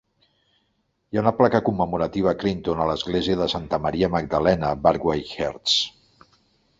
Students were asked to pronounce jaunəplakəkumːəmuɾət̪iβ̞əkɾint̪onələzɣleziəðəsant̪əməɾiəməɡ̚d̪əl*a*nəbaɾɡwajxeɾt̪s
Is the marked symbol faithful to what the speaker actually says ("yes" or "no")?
no